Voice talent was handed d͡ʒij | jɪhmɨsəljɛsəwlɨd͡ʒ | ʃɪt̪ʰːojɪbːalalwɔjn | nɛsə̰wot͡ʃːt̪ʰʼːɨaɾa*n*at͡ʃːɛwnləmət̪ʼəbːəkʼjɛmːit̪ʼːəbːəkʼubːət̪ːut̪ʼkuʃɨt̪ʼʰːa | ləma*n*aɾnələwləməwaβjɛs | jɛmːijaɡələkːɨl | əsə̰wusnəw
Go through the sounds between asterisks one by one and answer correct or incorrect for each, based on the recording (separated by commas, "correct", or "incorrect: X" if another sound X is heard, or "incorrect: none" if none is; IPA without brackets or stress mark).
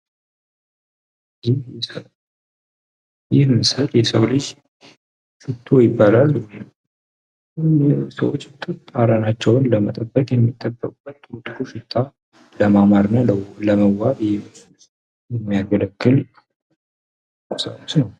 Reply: correct, incorrect: m